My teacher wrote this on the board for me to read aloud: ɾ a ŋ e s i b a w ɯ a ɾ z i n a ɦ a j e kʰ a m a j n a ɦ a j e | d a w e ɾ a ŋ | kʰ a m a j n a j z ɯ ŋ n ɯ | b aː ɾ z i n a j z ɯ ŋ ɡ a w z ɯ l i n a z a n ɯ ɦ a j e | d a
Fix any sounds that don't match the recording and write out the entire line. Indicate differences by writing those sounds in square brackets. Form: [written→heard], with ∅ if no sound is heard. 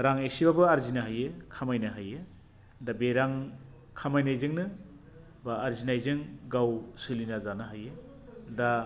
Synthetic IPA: ɾ a ŋ e s i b a [w→b] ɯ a ɾ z i n a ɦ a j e kʰ a m a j n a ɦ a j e | d a [w→b] e ɾ a ŋ | kʰ a m a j n a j z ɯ ŋ n ɯ | b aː ɾ z i n a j z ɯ ŋ ɡ a w [z→s] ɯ l i n a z a n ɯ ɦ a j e | d a